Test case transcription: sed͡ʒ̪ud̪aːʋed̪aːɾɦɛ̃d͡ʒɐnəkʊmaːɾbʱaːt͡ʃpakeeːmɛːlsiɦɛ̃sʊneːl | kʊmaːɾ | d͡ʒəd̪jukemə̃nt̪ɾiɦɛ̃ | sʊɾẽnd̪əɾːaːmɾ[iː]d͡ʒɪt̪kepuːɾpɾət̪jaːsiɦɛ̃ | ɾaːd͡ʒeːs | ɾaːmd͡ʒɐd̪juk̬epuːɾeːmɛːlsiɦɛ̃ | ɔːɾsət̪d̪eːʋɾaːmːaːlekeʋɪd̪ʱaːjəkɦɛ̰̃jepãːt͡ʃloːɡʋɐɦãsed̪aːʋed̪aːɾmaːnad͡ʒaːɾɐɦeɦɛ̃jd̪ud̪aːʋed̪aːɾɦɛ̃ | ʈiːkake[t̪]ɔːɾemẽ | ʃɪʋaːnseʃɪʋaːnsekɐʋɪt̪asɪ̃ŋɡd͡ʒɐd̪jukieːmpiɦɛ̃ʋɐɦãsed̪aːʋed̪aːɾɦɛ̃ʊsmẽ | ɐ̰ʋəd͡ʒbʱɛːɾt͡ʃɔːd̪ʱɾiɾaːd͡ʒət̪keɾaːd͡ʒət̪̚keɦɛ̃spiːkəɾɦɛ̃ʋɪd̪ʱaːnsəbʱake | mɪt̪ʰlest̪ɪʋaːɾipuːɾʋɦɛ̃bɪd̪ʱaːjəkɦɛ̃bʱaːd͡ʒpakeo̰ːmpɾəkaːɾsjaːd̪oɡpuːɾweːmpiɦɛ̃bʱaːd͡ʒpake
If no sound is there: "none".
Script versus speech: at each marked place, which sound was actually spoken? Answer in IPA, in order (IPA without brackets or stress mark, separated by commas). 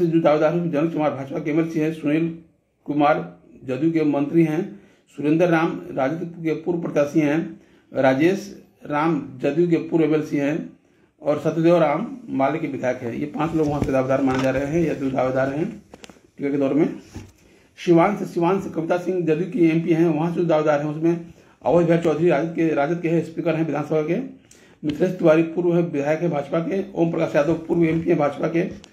aː, d̪